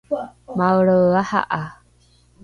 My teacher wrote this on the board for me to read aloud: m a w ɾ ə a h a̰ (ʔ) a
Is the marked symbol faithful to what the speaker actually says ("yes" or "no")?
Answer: yes